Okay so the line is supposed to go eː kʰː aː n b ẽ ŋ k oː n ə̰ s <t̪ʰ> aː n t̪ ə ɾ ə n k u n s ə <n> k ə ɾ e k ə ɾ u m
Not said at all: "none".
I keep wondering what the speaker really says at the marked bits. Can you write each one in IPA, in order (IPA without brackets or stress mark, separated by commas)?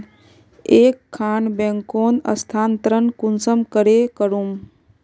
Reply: t̪ʰ, m